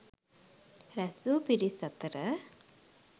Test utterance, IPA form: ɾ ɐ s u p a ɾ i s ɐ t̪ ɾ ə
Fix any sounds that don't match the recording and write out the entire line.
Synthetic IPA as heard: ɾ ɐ s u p i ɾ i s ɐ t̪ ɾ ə